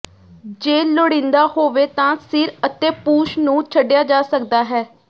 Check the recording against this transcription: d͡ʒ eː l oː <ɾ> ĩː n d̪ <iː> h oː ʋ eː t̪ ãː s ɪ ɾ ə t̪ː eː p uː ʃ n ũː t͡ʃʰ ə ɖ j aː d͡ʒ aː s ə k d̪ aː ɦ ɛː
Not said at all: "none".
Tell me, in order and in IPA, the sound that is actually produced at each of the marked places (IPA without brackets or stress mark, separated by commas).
ɽ, aː